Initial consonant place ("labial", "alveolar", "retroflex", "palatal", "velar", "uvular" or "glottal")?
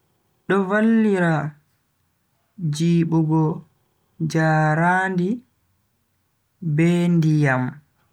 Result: alveolar